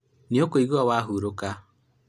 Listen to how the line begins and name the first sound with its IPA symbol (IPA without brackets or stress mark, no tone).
n